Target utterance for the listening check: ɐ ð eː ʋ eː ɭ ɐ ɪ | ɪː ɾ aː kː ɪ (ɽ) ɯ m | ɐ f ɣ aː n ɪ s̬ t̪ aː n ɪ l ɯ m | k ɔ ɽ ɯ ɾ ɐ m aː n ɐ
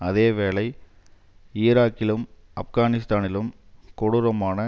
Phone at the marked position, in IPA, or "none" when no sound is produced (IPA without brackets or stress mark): l